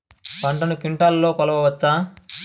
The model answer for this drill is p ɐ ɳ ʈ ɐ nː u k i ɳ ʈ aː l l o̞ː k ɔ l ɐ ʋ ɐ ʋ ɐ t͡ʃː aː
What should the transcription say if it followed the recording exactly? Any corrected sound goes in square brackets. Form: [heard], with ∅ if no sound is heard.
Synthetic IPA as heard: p ɐ ɳ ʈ ɐ [n] u k i ɳ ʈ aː l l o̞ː k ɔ l ɐ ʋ ɐ ʋ ɐ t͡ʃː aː